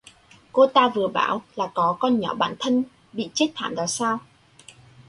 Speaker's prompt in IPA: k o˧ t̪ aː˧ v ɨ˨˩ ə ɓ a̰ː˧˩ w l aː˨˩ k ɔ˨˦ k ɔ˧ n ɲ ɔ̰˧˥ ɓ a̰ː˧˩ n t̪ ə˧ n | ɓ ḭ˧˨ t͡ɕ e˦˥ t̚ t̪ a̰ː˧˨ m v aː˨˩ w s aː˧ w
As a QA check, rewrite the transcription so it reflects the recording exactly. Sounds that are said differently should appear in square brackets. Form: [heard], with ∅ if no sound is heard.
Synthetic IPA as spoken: k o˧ t̪ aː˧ v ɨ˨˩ ə ɓ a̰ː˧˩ w l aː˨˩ k ɔ˨˦ k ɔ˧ n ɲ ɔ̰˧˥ ɓ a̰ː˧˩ n [t̪ʰ] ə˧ n | ɓ ḭ˧˨ t͡ɕ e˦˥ t̚ [t̪ʰ] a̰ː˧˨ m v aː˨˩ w s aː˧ w